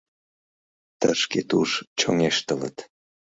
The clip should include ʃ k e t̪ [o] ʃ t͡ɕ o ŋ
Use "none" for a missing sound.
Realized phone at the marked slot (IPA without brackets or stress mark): u